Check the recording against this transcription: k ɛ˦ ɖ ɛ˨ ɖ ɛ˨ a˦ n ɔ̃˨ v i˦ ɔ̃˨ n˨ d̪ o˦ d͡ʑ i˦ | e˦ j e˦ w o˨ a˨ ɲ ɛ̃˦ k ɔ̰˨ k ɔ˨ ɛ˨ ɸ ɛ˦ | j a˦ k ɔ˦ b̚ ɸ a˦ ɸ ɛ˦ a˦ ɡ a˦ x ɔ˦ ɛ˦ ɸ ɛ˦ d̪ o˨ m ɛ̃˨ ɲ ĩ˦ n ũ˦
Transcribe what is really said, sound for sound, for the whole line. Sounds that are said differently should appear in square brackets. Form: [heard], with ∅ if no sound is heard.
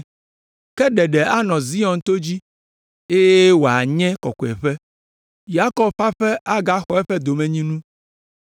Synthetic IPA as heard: k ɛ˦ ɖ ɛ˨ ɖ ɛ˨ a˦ n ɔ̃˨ [z] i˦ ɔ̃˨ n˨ [t̪] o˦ d͡ʑ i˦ | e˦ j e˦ w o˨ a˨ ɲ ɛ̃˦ k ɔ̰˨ k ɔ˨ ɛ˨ ɸ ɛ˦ | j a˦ k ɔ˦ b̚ ɸ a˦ ɸ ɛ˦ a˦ ɡ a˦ x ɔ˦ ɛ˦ ɸ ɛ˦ d̪ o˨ m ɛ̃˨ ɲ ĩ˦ n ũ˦